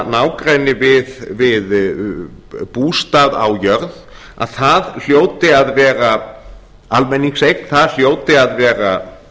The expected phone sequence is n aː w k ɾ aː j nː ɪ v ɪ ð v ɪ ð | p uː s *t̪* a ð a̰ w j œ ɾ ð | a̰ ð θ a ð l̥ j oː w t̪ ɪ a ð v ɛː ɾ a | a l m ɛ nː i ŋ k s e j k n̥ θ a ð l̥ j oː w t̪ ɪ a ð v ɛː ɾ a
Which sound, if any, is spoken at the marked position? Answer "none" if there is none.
t̪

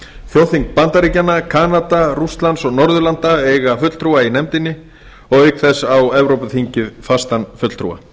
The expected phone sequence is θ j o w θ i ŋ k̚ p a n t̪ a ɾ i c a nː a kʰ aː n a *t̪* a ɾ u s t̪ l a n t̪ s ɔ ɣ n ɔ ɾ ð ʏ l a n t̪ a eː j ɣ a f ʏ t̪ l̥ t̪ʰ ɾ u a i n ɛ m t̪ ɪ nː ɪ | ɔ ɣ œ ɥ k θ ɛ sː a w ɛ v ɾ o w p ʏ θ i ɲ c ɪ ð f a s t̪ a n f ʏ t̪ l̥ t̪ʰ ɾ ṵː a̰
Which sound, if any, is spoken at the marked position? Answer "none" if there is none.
t̪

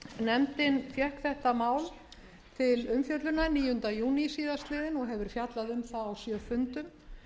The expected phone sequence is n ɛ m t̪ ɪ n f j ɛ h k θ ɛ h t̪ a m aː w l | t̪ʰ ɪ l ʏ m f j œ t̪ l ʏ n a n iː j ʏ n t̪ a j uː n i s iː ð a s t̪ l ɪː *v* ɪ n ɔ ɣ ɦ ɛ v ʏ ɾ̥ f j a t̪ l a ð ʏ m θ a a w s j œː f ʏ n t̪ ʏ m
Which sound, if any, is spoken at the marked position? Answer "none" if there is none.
ð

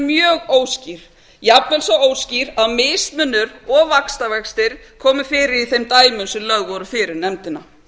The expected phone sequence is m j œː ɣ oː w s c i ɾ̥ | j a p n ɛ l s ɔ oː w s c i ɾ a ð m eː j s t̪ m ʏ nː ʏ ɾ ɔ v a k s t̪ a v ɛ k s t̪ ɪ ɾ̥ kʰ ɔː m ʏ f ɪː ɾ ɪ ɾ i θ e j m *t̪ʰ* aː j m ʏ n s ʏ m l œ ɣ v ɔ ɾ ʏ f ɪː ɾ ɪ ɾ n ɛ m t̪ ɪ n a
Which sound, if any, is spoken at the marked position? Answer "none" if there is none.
t̪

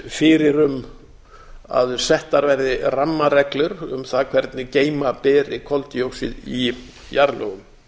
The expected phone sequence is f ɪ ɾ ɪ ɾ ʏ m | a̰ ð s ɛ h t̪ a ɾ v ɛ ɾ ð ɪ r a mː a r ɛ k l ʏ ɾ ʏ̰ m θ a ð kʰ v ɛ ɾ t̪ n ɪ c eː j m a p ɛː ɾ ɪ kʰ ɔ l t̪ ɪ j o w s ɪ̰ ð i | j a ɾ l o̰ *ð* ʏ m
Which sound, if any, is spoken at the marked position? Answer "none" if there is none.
ɣ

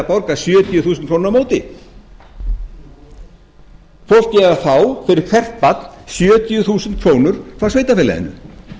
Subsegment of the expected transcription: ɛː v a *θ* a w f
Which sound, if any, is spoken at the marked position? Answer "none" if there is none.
θ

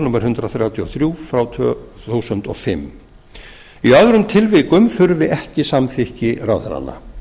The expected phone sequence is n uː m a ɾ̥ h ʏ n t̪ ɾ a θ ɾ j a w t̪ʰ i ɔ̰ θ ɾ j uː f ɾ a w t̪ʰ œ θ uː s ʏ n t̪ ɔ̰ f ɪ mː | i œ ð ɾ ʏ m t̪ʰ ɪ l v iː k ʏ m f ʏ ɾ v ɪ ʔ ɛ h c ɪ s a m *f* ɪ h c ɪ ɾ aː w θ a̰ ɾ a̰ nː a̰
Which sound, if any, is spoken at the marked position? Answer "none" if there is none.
θ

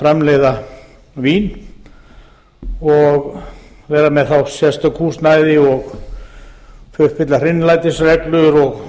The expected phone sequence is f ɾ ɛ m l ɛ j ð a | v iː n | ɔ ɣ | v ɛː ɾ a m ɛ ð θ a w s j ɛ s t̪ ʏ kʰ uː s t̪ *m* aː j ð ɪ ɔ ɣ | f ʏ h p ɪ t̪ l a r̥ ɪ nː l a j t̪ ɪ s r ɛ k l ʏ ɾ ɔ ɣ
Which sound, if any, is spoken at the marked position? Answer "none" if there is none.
n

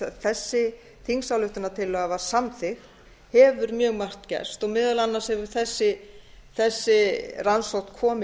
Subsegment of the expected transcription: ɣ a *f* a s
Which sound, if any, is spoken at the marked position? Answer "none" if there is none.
v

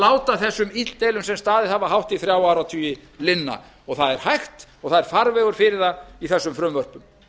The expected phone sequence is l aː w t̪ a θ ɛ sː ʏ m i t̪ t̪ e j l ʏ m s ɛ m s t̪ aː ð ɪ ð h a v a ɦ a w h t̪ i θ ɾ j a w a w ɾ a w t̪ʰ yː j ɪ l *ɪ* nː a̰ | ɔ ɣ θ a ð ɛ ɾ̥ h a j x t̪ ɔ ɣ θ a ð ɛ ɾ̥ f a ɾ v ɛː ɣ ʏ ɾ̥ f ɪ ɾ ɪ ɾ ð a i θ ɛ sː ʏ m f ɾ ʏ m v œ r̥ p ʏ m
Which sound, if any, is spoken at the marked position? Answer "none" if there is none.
ɪ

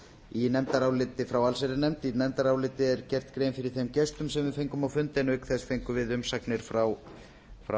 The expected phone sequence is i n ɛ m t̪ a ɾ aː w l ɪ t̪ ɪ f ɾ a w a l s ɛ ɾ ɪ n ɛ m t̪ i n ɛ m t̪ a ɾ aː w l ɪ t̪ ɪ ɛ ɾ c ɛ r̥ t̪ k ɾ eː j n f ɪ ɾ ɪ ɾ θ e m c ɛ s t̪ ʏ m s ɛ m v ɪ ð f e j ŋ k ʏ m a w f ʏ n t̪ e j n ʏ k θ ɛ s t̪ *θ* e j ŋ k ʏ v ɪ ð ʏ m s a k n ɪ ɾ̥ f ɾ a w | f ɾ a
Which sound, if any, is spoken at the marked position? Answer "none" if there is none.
f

